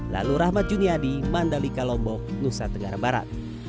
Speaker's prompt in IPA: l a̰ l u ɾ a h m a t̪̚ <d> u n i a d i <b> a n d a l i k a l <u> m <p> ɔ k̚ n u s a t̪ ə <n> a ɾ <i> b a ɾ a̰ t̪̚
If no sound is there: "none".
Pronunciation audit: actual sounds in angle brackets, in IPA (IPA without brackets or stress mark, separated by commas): d͡ʒ, m, ɔ, b, ŋ, a